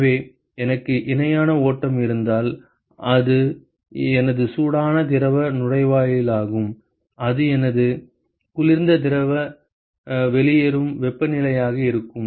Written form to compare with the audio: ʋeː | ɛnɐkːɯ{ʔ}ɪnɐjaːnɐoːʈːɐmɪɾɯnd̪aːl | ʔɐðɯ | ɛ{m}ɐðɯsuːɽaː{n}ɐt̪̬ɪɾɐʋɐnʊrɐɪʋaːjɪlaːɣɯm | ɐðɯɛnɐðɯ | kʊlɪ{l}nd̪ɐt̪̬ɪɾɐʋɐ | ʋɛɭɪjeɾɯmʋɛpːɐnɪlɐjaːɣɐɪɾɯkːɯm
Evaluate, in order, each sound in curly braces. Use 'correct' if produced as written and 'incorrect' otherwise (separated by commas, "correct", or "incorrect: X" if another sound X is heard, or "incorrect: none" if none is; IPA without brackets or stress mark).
correct, incorrect: n, correct, incorrect: ɾ